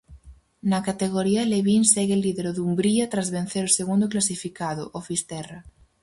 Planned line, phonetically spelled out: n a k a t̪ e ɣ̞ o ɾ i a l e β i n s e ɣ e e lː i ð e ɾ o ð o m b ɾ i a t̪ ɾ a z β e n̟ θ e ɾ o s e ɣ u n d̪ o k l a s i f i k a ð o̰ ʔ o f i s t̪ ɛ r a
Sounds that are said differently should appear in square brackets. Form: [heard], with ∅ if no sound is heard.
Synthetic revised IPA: n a k a t̪ e ɣ̞ o ɾ i a l e β i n s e ɣ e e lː i ð e ɾ o ð [u] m b ɾ i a t̪ ɾ a z β e n̟ θ e ɾ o s e ɣ u n d̪ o k l a s i f i k a ð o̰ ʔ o f i s t̪ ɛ r a